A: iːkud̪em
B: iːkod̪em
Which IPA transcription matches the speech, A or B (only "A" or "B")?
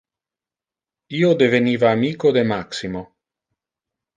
B